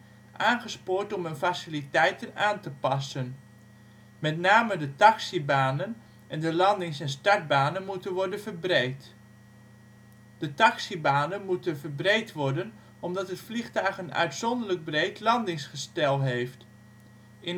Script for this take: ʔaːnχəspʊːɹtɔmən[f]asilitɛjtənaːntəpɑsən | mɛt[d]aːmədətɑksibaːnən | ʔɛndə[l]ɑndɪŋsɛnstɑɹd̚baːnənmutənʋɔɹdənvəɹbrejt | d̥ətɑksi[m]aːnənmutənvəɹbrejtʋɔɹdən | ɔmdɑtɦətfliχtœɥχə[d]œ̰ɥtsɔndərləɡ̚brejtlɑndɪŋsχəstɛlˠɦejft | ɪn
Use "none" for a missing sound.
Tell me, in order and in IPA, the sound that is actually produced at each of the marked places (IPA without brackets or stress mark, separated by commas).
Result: f, n, l, b, n